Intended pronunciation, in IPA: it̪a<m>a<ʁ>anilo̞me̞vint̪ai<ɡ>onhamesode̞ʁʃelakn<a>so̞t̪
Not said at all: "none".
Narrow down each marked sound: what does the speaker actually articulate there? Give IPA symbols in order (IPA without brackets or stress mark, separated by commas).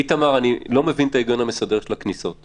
m, ʁ, ɡ, i